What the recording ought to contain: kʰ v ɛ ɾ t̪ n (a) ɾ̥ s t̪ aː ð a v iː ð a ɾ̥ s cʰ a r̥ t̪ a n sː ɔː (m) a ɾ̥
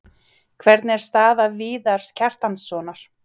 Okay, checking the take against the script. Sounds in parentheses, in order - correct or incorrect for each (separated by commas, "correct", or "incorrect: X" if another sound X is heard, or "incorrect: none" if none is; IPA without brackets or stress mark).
incorrect: ɛ, incorrect: n